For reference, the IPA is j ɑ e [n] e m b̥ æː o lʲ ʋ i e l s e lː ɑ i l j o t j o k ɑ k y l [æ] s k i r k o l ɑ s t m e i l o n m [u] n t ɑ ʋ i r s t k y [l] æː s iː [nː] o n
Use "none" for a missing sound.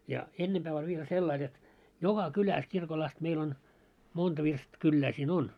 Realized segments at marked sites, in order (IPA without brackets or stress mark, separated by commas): nː, æ, o, lː, n